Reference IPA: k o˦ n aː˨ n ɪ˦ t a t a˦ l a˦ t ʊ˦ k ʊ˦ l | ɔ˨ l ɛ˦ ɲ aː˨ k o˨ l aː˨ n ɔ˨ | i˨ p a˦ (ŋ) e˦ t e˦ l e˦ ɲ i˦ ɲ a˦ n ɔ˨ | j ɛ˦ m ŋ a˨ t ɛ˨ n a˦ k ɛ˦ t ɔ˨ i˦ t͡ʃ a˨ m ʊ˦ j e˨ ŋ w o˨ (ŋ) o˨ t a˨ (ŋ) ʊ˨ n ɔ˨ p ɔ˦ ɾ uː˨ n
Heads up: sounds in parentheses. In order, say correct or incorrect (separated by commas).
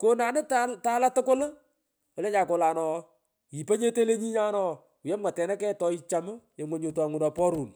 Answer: incorrect, incorrect, correct